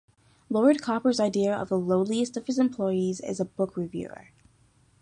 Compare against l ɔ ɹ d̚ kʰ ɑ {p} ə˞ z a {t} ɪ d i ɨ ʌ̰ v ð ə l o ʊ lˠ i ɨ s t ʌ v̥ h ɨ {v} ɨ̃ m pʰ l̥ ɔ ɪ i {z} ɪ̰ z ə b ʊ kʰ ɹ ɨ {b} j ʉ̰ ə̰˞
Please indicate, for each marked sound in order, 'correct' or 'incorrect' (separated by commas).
correct, incorrect, incorrect, correct, incorrect